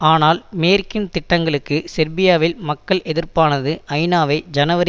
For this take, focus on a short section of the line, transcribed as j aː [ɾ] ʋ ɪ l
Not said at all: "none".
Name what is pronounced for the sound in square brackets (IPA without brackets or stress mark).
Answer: none